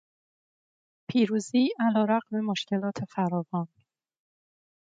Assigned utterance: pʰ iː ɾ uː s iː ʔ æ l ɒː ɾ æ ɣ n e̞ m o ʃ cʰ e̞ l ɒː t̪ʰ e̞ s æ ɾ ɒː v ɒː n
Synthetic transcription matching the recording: pʰ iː ɾ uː z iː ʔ æ l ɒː ɾ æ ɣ m e̞ m o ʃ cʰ e̞ l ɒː t̪ʰ e̞ f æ ɾ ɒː v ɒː n